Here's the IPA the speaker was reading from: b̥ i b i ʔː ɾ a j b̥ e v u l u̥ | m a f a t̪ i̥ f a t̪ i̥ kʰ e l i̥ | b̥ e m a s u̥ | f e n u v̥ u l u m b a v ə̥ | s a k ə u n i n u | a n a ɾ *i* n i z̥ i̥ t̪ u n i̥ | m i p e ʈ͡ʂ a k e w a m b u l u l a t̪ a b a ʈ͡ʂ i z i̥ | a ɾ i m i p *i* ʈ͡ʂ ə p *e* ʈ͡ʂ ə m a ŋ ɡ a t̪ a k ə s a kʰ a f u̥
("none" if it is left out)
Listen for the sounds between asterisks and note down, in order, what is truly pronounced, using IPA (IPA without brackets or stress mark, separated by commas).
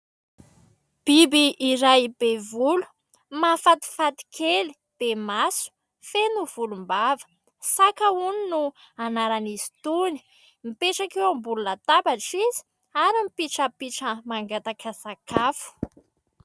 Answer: a, i, i